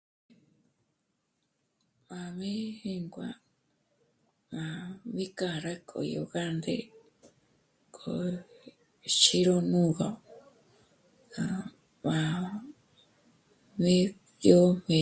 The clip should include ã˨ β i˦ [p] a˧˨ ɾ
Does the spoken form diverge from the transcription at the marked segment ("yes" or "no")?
yes